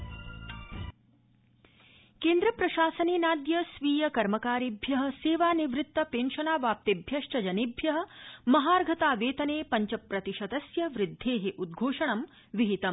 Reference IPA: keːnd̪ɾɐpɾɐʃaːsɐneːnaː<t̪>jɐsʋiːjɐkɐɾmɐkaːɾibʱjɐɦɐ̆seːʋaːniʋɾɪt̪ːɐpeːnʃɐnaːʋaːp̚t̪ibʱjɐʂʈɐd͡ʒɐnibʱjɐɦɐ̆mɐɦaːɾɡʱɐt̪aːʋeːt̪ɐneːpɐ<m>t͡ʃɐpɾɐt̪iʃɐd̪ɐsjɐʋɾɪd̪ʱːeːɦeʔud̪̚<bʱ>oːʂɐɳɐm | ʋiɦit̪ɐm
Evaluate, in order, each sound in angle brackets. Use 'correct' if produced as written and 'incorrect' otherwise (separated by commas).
incorrect, incorrect, incorrect